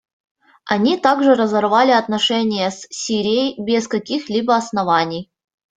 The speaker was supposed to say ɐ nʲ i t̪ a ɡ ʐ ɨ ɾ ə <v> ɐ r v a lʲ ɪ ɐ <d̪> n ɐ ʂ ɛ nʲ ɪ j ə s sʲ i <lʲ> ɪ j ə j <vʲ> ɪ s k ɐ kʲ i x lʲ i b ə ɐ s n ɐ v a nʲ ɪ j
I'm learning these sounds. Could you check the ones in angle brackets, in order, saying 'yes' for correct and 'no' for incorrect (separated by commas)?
no, no, no, no